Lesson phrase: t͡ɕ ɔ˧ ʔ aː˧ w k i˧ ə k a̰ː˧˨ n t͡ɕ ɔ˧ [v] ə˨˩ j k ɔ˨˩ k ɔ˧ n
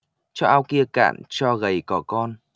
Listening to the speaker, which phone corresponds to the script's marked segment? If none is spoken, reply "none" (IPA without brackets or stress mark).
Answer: ɣ